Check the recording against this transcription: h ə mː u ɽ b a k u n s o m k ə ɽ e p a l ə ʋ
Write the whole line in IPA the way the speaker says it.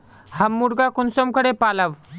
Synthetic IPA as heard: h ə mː u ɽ ɡ a k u n s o m k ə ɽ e p a l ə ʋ

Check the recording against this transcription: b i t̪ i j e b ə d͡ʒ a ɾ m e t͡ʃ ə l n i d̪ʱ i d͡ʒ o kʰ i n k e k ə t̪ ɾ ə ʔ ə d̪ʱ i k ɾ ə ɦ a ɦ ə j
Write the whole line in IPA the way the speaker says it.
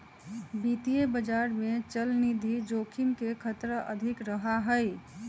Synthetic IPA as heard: b i t̪ i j e b ə d͡ʒ a ɾ m e t͡ʃ ə l n i d̪ʱ i d͡ʒ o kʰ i m k e kʰ ə t̪ ɾ ə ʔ ə d̪ʱ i k ɾ ə ɦ a ɦ ə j

